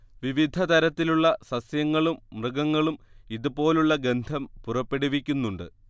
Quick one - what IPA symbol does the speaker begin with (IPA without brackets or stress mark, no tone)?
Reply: ʋ